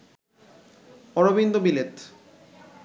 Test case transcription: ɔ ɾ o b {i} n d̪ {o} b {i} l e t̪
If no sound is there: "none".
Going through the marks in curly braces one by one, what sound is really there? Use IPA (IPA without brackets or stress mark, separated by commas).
i, o, i